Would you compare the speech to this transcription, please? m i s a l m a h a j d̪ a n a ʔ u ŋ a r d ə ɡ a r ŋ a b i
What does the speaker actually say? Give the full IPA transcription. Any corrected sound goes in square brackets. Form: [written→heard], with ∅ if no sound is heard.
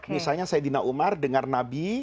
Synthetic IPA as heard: m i s a l [m→ɲ] a [h→s] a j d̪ [a→i] n a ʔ u [ŋ→m] a r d ə [ɡ→ŋ] a r [ŋ→n] a b i

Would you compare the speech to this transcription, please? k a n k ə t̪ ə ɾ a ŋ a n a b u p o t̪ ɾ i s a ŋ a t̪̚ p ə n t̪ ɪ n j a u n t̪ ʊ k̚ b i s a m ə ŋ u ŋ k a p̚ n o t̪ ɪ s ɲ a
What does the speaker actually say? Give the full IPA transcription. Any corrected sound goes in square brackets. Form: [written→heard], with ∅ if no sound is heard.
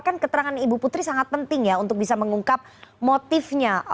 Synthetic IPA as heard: k a n k ə t̪ ə ɾ a ŋ a n [a→i] b u p [o→u] t̪ ɾ i s a ŋ a t̪̚ p ə n t̪ ɪ [n→ŋ] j a u n t̪ ʊ k̚ b i s a m ə ŋ u ŋ k a p̚ [n→m] o t̪ ɪ [s→f] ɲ a

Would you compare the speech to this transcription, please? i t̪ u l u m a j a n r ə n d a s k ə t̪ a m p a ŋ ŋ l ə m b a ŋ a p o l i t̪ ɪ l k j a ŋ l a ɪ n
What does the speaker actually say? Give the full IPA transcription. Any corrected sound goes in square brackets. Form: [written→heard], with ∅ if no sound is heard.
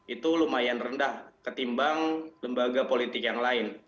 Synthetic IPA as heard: i t̪ u l u m a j a n r ə n d a [s→h] k ə t̪ [a→i] m [p→b] a ŋ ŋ l ə m b a [ŋ→ɡ] a p o l i t̪ ɪ [l→∅] k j a ŋ l a ɪ n

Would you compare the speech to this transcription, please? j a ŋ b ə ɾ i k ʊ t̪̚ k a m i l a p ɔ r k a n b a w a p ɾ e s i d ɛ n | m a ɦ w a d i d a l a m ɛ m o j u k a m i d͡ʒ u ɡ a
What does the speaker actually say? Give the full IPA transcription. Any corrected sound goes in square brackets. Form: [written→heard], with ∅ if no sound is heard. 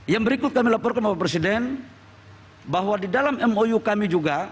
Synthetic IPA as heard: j a ŋ b ə ɾ i k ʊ t̪̚ k a m i l a p ɔ r k a n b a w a p ɾ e s i d ɛ n | [m→b] a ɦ w a d i d a l a m ɛ m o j u k a m i d͡ʒ u ɡ a

